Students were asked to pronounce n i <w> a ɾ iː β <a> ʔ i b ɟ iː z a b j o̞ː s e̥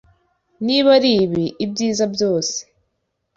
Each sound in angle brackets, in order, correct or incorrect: incorrect: β, incorrect: i

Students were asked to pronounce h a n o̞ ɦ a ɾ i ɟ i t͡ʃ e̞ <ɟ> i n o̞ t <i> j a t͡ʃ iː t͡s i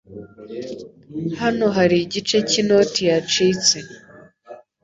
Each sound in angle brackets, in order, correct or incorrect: incorrect: c, correct

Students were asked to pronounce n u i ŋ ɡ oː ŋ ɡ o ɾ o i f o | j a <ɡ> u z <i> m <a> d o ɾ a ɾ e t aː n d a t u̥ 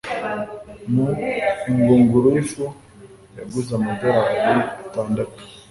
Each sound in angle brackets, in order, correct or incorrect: correct, incorrect: a, correct

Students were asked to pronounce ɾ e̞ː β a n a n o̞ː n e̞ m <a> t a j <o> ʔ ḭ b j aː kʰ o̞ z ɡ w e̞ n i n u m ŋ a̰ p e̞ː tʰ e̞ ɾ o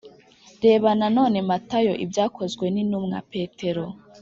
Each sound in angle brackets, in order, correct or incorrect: correct, correct

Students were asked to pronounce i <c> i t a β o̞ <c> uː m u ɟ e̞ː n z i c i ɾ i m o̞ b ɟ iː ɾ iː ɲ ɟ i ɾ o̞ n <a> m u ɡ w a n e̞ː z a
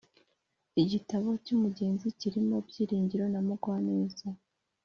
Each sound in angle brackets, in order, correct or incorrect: incorrect: ɟ, correct, correct

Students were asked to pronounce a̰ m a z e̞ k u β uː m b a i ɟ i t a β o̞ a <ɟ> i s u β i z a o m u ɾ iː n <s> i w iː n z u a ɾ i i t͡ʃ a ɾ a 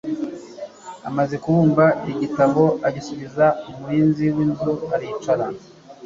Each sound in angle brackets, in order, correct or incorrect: correct, incorrect: z

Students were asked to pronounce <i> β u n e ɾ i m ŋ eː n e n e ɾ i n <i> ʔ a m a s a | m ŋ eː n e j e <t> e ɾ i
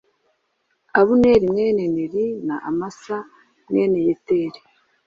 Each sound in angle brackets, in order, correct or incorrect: incorrect: a, incorrect: a, correct

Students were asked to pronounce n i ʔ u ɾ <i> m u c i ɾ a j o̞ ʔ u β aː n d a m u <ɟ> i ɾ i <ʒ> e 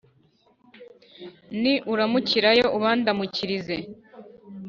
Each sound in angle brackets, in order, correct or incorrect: incorrect: a, incorrect: c, incorrect: z

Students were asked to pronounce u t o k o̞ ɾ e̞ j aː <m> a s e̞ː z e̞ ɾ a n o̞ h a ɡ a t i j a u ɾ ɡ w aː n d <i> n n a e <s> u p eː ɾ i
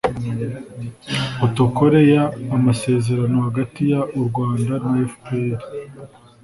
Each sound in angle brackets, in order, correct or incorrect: correct, incorrect: a, incorrect: f

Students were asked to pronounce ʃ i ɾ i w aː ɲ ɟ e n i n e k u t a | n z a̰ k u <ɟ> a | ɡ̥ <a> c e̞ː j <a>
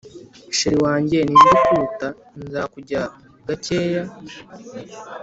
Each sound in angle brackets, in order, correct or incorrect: correct, correct, correct

